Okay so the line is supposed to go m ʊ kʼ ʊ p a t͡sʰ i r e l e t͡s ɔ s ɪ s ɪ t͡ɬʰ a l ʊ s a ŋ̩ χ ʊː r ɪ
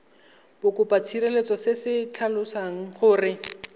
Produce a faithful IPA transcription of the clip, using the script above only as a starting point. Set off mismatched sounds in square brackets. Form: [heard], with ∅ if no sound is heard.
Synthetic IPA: [b] ʊ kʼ ʊ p a t͡sʰ i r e l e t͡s ɔ s ɪ s ɪ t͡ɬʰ a l ʊ s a ŋ̩ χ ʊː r ɪ